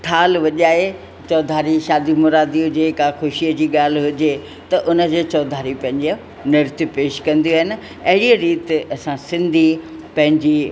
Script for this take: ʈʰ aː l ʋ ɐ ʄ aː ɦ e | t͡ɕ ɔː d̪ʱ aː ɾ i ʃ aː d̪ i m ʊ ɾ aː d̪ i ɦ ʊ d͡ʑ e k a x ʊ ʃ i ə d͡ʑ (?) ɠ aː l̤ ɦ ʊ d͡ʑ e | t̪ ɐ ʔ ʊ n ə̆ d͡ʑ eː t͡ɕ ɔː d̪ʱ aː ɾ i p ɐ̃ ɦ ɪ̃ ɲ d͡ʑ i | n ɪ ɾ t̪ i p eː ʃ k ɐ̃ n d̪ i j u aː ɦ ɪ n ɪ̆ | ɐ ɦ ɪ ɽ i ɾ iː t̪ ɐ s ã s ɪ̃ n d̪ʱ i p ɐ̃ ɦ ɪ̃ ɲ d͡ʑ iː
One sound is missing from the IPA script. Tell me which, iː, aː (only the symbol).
iː